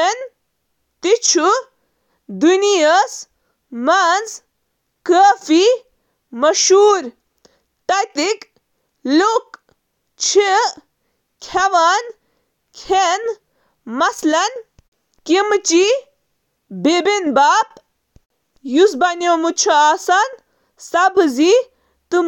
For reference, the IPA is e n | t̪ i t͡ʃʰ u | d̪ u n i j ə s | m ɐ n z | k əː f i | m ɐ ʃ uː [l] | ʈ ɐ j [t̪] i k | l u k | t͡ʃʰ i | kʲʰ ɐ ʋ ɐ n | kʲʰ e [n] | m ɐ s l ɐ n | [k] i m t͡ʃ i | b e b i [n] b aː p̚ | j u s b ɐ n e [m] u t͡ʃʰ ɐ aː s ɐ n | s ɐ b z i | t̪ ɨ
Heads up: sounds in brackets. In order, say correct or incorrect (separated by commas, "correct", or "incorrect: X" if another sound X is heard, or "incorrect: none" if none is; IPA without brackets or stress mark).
incorrect: ɾ, correct, correct, correct, correct, correct